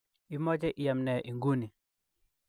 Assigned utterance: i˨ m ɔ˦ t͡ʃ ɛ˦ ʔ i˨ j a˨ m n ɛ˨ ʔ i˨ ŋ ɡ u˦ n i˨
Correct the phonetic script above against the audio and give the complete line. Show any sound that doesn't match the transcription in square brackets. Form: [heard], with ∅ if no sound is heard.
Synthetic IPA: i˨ m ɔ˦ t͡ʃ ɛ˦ ʔ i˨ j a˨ m n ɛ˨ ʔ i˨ ŋ ɡ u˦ n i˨